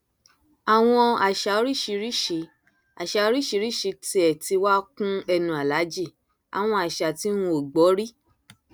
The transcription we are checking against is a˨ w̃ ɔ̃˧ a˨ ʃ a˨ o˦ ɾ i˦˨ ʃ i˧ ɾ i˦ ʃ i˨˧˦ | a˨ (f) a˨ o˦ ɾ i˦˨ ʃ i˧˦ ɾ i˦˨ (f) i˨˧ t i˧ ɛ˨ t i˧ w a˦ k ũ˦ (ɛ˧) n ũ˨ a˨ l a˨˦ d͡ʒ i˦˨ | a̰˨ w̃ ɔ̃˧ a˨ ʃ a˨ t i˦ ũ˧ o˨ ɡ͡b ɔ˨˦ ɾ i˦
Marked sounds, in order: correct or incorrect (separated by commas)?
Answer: incorrect, incorrect, correct